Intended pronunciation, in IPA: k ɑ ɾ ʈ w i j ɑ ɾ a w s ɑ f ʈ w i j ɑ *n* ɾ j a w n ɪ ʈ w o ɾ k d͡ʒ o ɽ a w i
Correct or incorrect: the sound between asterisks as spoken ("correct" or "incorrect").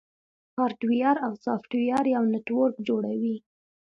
incorrect